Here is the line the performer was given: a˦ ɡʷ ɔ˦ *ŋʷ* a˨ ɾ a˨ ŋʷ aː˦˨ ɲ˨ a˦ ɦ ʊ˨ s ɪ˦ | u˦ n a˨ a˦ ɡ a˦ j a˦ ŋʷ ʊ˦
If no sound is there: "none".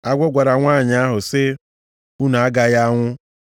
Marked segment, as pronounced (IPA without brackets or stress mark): ɡʷ